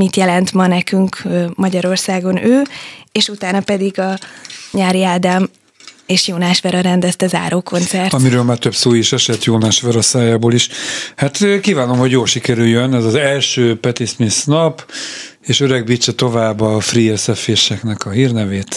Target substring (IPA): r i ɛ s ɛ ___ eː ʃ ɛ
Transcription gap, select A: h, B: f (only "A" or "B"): B